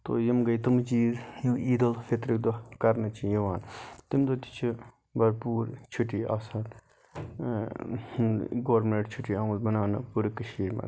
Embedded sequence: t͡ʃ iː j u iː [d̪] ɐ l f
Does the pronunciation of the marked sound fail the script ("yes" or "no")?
no